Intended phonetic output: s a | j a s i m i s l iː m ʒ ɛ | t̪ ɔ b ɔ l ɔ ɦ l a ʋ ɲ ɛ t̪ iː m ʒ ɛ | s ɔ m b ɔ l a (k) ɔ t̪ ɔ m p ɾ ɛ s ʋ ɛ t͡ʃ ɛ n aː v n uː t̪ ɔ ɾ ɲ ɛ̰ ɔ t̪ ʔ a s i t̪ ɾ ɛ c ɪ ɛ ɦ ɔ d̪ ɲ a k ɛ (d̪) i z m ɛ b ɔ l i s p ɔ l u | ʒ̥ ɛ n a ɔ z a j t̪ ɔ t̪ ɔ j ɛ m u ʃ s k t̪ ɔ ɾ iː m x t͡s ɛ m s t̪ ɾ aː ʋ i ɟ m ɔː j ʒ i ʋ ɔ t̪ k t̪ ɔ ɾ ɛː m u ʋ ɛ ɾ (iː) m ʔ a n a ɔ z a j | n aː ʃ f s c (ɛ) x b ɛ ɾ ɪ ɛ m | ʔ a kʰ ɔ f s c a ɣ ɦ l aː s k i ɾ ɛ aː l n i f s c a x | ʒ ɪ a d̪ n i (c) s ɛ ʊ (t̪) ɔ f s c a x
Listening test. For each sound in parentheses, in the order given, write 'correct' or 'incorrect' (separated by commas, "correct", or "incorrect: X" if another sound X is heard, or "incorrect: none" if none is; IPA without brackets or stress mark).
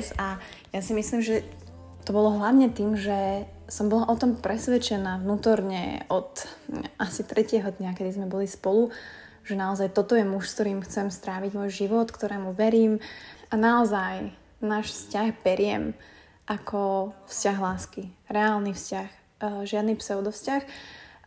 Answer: incorrect: ʔ, correct, correct, incorrect: a, incorrect: p, incorrect: d̪